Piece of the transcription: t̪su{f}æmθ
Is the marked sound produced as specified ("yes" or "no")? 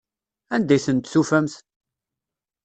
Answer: yes